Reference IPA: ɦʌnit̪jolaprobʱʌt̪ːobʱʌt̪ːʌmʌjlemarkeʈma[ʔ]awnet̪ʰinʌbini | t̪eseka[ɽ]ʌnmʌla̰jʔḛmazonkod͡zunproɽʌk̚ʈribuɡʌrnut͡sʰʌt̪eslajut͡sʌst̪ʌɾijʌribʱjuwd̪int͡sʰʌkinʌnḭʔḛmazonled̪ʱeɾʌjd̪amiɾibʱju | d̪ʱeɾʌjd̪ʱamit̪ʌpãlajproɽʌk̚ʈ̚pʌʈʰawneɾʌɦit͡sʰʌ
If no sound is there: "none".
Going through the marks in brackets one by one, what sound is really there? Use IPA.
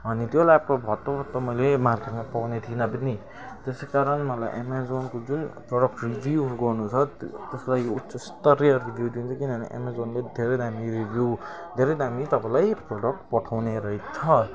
p, ɾ

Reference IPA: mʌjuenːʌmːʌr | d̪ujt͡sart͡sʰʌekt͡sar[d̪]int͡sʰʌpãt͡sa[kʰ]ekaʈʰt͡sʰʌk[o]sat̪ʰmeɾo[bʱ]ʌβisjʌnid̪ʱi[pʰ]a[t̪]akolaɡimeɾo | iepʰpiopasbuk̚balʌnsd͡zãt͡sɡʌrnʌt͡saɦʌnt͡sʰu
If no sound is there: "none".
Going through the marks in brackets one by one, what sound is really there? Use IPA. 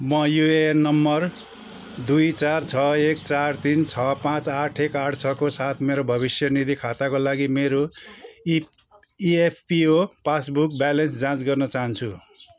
t̪, ʈʰ, o, bʱ, kʰ, t̪

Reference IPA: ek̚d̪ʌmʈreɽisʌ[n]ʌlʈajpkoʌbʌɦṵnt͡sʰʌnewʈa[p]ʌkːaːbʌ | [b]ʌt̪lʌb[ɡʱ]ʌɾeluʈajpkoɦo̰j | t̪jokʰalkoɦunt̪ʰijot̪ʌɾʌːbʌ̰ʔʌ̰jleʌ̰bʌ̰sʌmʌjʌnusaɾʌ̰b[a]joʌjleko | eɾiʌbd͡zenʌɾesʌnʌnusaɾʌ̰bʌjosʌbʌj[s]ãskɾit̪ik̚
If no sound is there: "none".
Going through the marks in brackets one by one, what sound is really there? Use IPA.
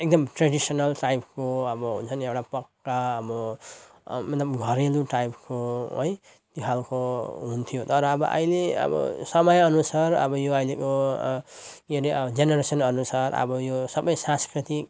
n, p, m, ɡʱ, ʌ, s

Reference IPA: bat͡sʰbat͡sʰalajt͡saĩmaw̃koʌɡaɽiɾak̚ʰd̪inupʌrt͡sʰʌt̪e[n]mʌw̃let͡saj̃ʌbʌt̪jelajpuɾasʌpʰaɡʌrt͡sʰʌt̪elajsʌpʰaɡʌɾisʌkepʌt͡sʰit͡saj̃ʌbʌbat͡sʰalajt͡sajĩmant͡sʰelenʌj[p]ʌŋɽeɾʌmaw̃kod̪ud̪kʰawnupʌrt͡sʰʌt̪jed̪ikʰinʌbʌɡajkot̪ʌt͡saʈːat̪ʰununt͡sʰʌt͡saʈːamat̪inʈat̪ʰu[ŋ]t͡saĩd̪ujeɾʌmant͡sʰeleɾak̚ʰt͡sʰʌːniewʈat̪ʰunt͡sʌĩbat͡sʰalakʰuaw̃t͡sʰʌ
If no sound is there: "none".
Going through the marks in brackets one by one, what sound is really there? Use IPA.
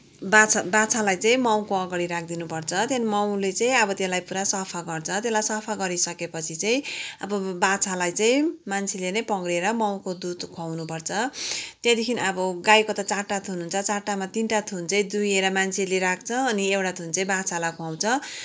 n, p, n

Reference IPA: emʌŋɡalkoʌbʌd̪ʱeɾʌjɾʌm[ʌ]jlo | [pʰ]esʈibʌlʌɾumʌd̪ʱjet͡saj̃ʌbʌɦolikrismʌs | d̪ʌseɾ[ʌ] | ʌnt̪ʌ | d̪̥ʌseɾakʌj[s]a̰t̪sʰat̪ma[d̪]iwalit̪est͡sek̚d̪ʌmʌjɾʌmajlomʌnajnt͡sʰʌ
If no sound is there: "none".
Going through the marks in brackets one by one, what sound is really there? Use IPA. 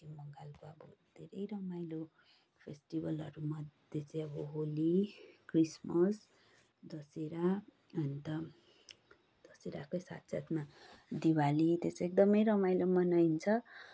a, pʰ, a, s, d̪

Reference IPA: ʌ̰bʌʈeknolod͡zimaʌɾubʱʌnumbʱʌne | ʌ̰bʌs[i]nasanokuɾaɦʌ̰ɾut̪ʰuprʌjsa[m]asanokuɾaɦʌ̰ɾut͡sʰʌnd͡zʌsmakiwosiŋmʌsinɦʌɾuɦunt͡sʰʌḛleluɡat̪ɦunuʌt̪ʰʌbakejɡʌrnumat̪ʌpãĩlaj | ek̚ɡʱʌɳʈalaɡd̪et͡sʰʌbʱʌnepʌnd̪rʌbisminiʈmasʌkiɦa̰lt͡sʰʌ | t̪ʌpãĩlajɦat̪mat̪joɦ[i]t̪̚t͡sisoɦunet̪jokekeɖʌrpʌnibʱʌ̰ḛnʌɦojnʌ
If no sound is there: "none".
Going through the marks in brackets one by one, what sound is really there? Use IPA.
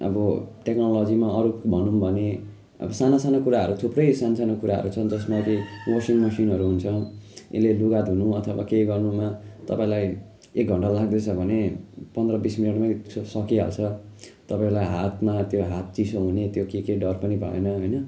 a, n, a

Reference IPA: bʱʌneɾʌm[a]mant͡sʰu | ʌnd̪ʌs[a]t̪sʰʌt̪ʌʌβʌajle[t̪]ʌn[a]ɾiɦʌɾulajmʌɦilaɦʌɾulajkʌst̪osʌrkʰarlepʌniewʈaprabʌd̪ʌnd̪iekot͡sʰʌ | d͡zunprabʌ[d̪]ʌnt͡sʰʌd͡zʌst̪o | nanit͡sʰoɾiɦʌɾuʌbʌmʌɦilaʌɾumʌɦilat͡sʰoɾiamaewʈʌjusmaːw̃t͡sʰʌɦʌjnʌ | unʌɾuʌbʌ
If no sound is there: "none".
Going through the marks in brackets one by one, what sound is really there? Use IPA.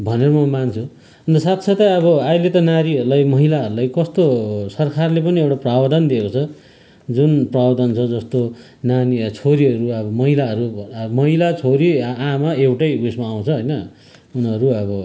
ʌ, a, t̪, a, d̪

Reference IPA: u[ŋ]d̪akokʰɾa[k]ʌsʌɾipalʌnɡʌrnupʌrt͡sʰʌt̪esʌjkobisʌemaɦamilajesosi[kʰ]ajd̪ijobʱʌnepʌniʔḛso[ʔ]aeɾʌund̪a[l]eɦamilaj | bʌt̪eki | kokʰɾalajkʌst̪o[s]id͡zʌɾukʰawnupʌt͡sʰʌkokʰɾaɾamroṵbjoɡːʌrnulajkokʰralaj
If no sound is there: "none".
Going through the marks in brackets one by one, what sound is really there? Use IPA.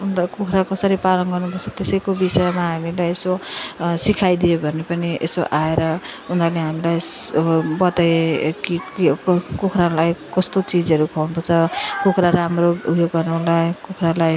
n, k, kʰ, ʔ, l, t͡s

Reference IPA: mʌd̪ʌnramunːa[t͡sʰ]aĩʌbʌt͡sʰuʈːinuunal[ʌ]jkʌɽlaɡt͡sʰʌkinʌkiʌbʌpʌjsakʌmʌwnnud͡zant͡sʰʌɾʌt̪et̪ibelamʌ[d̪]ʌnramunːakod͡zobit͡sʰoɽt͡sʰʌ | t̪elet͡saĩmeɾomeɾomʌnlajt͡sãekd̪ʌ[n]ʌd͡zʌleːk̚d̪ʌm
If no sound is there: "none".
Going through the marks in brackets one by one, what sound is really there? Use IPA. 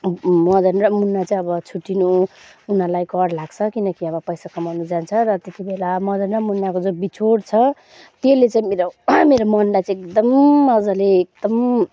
t͡s, a, d̪, m

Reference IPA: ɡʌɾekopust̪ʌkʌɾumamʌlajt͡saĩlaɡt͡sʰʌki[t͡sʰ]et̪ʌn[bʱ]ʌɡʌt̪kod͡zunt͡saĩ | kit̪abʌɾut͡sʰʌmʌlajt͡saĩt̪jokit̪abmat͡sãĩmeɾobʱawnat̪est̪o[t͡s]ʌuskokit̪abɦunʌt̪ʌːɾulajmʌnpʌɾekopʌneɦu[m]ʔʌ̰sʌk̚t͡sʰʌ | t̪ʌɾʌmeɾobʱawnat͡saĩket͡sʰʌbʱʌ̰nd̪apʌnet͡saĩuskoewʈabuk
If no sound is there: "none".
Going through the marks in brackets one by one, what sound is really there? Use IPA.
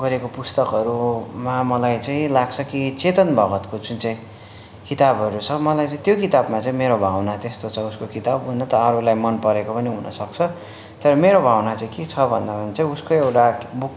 t͡s, bʱ, t͡sʰ, n

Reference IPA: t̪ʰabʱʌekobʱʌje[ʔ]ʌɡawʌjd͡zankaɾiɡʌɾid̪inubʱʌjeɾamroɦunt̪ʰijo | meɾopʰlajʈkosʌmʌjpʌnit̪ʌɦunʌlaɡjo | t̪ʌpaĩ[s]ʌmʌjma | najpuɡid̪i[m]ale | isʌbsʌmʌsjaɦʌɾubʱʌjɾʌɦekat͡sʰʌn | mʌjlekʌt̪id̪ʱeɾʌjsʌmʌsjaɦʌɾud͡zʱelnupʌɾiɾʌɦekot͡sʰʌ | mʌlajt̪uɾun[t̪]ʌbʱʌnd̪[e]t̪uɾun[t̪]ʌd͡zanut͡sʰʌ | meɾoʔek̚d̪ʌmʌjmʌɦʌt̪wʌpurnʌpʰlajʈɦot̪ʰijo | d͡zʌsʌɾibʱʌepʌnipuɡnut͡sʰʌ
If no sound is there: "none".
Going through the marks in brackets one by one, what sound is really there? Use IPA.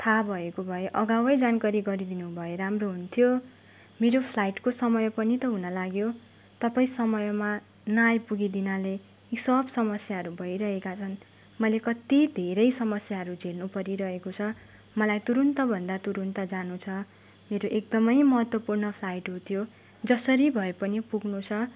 ʔ, s, n, t̪, a, t̪

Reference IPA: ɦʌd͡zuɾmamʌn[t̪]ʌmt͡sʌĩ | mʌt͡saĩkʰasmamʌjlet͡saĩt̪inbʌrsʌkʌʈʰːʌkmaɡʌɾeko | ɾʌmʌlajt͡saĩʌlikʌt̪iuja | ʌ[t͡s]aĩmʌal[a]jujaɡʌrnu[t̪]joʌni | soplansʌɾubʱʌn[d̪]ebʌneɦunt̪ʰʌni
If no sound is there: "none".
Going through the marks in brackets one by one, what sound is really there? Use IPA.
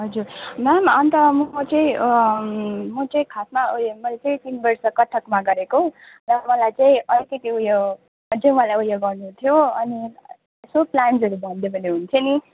t̪, t͡s, a, t̪ʰ, d̪

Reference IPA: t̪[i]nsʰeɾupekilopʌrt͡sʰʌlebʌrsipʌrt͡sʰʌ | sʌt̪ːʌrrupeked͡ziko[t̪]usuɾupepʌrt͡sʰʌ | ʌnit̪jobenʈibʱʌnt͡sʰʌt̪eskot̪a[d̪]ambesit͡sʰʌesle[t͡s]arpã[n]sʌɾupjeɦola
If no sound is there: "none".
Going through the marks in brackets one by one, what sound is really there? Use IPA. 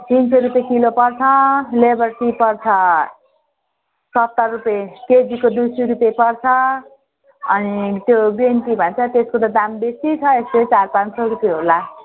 i, d̪, d̪, t͡s, n

